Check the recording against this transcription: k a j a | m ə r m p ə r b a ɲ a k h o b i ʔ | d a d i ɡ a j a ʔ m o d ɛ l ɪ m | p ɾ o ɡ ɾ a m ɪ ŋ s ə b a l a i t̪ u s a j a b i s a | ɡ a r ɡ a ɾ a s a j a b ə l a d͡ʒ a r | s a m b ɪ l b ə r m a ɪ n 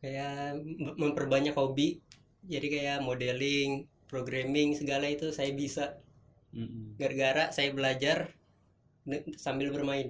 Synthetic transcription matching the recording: k a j a | m ə m p ə r b a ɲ a k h o b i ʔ | d͡ʒ a d i k a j a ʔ m o d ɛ l ɪ ŋ | p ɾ o ɡ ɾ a m ɪ ŋ s ə ɡ a l a i t̪ u s a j a b i s a | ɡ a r ɡ a ɾ a s a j a b ə l a d͡ʒ a r | s a m b ɪ l b ə r m a ɪ n